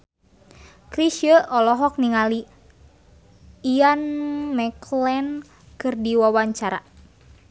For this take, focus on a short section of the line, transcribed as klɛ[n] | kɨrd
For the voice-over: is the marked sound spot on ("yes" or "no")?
yes